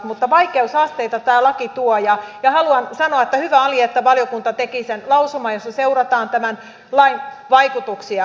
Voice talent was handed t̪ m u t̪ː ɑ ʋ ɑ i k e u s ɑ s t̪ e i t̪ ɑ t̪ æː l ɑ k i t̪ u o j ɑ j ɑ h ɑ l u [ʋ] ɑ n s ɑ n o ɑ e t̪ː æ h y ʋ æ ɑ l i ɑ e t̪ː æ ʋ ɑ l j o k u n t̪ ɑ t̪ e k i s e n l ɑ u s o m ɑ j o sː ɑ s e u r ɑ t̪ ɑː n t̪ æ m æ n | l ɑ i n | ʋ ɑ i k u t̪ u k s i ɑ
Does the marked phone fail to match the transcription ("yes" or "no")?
yes